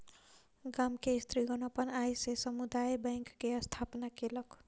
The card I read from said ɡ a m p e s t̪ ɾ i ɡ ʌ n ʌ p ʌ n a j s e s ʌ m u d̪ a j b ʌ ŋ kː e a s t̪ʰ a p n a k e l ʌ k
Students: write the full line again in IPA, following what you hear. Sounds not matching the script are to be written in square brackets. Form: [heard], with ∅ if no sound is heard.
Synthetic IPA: ɡ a m [k] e s t̪ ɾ i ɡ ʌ n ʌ p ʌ n a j s e s ʌ m u d̪ a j b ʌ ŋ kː e [ʌ] s t̪ʰ a p n a k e l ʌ k